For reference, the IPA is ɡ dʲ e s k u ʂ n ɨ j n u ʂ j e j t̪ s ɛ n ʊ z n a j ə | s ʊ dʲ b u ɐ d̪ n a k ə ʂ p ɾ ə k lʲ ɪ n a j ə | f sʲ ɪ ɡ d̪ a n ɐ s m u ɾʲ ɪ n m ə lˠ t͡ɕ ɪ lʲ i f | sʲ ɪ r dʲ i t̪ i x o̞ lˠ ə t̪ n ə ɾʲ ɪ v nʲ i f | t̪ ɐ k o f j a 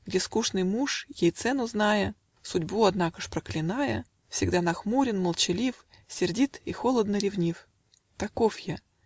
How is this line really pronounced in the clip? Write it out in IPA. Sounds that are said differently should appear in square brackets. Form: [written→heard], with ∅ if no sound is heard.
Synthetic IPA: ɡ dʲ e s k u ʂ n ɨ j [n→m] u ʂ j e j t̪ s ɛ n ʊ z n a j ə | s ʊ dʲ b u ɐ d̪ n a k ə ʂ p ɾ ə k lʲ ɪ n a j ə | f sʲ ɪ ɡ d̪ a n ɐ [s→x] m u ɾʲ ɪ n m ə lˠ t͡ɕ ɪ lʲ i f | sʲ ɪ r dʲ i t̪ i x o̞ lˠ ə [t̪→d̪] n ə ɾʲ ɪ v nʲ i f | t̪ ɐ k o f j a